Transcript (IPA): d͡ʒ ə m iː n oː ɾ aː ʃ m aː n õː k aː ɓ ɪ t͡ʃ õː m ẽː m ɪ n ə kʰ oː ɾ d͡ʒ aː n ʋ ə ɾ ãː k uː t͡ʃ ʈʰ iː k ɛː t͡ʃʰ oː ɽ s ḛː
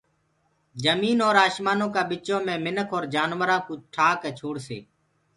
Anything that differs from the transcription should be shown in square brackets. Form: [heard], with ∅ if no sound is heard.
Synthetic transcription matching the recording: d͡ʒ ə m iː n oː ɾ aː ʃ m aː n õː k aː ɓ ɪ t͡ʃ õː m ẽː m ɪ n ə kʰ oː ɾ d͡ʒ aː n ʋ ə ɾ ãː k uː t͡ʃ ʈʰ [aː] k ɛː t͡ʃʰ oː ɽ s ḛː